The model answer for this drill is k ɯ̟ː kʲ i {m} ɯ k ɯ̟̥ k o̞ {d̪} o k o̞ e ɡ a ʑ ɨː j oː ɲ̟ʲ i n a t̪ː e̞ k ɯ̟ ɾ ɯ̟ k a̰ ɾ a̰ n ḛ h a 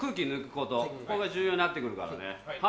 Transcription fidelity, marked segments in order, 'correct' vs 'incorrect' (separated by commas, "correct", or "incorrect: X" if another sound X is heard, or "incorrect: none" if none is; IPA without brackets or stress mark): incorrect: n, incorrect: t̪